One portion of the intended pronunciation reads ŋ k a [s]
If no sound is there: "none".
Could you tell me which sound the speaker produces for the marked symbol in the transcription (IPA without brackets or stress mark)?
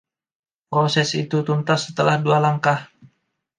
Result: h